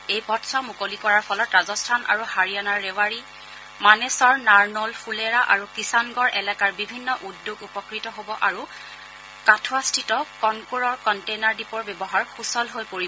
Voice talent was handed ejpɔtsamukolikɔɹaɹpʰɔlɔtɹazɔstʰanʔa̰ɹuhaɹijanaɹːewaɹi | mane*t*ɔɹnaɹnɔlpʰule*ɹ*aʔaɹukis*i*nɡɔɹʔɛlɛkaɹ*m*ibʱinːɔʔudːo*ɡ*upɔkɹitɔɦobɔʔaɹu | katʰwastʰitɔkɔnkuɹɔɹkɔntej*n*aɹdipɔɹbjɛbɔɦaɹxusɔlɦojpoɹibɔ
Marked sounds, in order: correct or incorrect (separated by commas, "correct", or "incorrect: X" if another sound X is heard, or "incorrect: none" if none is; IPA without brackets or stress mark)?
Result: incorrect: s, correct, incorrect: a, incorrect: b, correct, correct